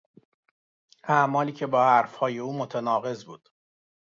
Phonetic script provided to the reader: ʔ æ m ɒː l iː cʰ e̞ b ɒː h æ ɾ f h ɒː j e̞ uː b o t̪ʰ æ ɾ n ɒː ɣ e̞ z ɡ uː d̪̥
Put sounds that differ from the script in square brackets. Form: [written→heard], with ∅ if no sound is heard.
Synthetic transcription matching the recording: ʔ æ m ɒː l iː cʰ e̞ b ɒː h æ ɾ f h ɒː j e̞ uː [b→m] o t̪ʰ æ [ɾ→∅] n ɒː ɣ e̞ z [ɡ→b] uː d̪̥